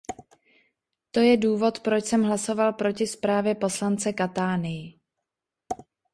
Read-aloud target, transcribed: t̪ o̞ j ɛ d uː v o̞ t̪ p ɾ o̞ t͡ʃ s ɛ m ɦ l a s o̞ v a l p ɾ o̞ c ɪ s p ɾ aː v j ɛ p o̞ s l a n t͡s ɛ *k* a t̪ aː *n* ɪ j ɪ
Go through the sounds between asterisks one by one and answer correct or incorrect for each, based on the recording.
correct, correct

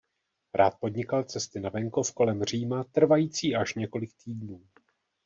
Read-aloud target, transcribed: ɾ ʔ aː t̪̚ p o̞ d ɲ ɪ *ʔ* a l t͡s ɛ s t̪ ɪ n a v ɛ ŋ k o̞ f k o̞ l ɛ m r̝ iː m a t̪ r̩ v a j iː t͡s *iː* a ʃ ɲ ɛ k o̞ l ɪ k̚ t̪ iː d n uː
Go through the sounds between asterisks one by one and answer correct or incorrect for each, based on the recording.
incorrect, correct

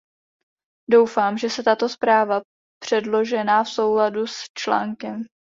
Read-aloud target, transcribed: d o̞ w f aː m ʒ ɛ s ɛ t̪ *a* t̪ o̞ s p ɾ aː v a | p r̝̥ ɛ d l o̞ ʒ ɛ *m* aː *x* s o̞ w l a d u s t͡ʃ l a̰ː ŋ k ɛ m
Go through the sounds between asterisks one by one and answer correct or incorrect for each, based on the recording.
correct, incorrect, incorrect

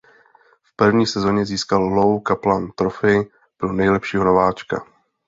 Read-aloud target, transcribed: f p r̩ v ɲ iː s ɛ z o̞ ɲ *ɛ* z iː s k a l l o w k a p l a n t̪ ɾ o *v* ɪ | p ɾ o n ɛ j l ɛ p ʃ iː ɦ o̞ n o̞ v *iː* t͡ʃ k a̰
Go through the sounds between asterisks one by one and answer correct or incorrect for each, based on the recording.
correct, incorrect, incorrect

